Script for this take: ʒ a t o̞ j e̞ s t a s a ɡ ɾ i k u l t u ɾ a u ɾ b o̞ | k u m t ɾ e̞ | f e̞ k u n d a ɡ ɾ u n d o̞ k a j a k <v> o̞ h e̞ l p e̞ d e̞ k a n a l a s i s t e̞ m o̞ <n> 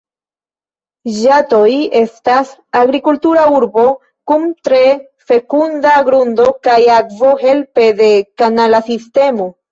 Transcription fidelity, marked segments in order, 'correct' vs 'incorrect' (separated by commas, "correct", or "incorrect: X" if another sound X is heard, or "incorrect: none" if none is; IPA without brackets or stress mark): correct, incorrect: none